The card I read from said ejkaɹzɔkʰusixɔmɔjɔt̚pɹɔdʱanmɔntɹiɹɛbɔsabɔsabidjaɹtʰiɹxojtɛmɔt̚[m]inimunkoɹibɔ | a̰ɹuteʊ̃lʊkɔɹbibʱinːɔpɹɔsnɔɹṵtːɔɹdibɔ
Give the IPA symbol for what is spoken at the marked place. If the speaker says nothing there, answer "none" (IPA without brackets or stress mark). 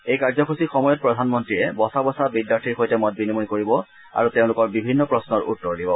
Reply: b